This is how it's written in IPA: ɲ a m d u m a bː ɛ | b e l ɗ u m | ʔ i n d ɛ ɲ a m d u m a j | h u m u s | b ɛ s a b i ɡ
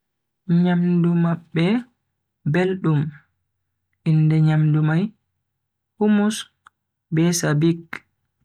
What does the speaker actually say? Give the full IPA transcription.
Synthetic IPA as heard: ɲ a m d u m a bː ɛ | b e l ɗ u m | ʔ i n d ɛ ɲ a m d u m a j | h u m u s | b ɛ s a b i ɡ